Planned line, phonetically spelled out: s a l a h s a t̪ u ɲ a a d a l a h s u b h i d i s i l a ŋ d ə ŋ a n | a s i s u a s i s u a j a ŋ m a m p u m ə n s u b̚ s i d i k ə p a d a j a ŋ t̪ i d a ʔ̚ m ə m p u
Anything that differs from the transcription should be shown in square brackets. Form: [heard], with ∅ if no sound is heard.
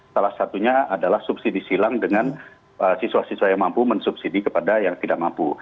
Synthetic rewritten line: s a l a h s a t̪ u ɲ a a d a l a h s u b [s] i d i s i l a ŋ d ə ŋ a n | [ə] s i s u a s i s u a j a ŋ m a m p u m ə n s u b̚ s i d i k ə p a d a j a ŋ t̪ i d a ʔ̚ m [a] m p u

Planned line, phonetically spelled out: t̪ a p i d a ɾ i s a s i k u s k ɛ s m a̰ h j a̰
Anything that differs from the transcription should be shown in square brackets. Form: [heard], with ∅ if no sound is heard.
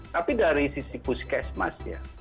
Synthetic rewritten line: t̪ a p i d a ɾ i s [i] s i [p] u s k ɛ s m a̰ [s] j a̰

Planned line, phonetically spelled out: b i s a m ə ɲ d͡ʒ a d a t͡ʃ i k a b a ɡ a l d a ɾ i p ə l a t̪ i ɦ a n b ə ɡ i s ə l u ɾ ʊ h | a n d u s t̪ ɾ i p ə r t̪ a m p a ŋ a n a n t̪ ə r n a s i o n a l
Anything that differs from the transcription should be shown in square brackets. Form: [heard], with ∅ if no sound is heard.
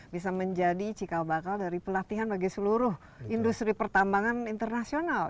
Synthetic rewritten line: b i s a m ə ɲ d͡ʒ a d [i] t͡ʃ i k a b a [k] a l d a ɾ i p ə l a t̪ i ɦ a n b [a] ɡ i s ə l u ɾ ʊ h | [i] n d u s t̪ ɾ i p ə r t̪ a m [b] a ŋ a n [i] n t̪ ə r n a s i o n a l

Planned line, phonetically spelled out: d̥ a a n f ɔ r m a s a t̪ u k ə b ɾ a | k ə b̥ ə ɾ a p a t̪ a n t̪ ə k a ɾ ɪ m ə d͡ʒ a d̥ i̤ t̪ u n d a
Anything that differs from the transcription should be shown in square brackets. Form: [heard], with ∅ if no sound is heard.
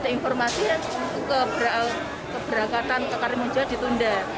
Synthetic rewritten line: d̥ a [i] n f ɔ r m a s [i] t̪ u k ə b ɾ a | k ə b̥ ə ɾ a [k] a t̪ a n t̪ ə k a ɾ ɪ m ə d͡ʒ a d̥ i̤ t̪ u n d a

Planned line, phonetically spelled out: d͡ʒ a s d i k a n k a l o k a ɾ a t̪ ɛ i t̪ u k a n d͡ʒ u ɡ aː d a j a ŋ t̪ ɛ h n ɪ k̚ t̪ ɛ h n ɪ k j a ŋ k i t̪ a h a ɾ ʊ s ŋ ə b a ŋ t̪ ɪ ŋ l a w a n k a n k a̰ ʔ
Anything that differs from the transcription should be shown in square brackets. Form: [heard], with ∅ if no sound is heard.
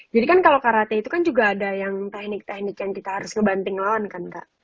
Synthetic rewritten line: d͡ʒ a [∅] d i k a n k a l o k a ɾ a t̪ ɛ i t̪ u k a n d͡ʒ u ɡ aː d a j a ŋ t̪ ɛ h n ɪ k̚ t̪ ɛ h n ɪ k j a ŋ k i t̪ a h a ɾ ʊ s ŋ ə b a [n] t̪ ɪ ŋ l a w a n k a n k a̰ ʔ

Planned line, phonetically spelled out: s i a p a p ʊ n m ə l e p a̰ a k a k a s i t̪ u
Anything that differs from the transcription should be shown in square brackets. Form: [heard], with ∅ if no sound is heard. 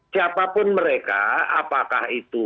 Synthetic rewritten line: s i a p a p ʊ n m ə [ɾ] e [k] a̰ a [p] a k a [h] i t̪ u

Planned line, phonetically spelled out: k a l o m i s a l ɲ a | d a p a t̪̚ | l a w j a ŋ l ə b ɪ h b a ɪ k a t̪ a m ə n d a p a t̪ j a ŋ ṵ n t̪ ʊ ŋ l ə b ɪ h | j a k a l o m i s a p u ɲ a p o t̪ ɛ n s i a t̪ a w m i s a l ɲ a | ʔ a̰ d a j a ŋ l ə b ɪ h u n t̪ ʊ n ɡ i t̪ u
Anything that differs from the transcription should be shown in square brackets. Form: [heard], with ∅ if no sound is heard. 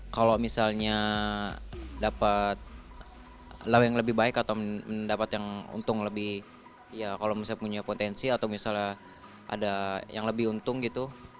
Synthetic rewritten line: k a l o m i s a l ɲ a | d a p a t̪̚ | l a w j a ŋ l ə b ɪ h b a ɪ k a t̪ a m ə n d a p a t̪ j a ŋ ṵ n t̪ ʊ ŋ l ə b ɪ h | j a k a l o m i s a p u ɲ a p o t̪ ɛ n s i a t̪ a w m i s a l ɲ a | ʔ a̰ d a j a ŋ l ə b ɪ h u n t̪ ʊ [ŋ] ɡ i t̪ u

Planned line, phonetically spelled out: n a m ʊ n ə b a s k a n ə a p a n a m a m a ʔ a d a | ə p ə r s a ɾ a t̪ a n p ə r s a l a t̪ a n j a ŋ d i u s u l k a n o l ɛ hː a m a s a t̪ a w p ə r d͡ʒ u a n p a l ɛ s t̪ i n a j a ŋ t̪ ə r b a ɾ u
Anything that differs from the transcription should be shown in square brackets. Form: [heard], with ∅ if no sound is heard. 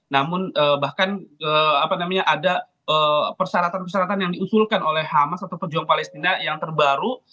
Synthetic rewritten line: n a m ʊ n ə b a [h] k a n ə a p a n a m a [ɲ] a ʔ a d a | ə p ə r s a ɾ a t̪ a n p ə r s a [ɾ] a t̪ a n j a ŋ d i u s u l k a n o l ɛ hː a m a s a t̪ a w p ə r d͡ʒ u a [ŋ] p a l ɛ s t̪ i n a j a ŋ t̪ ə r b a ɾ u

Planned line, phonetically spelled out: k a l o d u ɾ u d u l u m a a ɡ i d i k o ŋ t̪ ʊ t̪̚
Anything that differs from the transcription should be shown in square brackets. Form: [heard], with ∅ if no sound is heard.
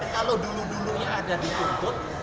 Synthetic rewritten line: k a l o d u [l] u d u l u [ɲ] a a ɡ [a] d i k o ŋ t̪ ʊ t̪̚

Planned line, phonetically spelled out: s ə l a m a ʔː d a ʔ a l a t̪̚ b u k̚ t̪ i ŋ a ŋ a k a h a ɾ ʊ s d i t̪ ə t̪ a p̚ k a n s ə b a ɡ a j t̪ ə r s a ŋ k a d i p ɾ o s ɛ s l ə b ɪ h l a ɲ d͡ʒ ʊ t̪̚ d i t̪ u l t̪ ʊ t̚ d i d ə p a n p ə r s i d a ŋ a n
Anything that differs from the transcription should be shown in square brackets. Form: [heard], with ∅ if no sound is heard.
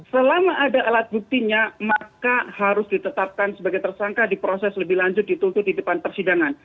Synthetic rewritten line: s ə l a m a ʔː d a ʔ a l a t̪̚ b u k̚ t̪ i [ɲ] a [m] a k a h a ɾ ʊ s d i t̪ ə t̪ a p̚ k a n s ə b a ɡ a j t̪ ə r s a ŋ k a d i p ɾ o s ɛ s l ə b ɪ h l a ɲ d͡ʒ ʊ t̪̚ d i t̪ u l t̪ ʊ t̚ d i d ə p a n p ə r s i d a ŋ a n

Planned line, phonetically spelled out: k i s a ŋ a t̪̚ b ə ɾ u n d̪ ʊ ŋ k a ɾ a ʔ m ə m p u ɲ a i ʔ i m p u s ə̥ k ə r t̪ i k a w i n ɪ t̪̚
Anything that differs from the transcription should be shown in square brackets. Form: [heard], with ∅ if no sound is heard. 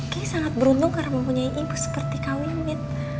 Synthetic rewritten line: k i s a ŋ a t̪̚ b ə ɾ u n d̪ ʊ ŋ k a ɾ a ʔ m ə m p u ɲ a i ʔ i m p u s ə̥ [p] ə r t̪ i k a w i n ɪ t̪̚

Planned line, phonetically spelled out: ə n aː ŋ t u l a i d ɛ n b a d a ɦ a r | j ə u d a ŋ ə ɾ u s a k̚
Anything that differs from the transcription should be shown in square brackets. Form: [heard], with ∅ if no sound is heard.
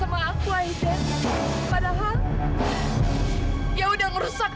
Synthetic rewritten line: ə [m] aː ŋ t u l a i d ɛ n [p] a d a ɦ a [l] | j [a] u d a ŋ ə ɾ u s a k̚

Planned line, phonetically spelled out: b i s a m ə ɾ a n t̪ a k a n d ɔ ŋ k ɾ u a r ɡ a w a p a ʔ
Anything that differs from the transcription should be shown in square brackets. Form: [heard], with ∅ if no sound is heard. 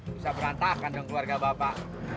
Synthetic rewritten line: b i s a [b] ə ɾ a n t̪ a k a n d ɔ ŋ k [l] u a r ɡ a [b] a p a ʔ

